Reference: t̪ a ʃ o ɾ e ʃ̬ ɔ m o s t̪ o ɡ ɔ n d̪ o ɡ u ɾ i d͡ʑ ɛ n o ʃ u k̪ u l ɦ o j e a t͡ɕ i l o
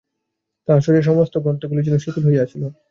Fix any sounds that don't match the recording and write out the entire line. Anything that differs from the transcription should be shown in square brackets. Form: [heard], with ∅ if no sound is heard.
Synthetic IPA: t̪ a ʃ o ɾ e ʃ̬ ɔ m o s t̪ o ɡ ɔ n [t̪] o ɡ u [l] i d͡ʑ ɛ n o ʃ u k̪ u l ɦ o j e a [t͡ɕʰ] i l o